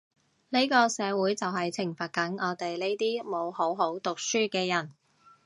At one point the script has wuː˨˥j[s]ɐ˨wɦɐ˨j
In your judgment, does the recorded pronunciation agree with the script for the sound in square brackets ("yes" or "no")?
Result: no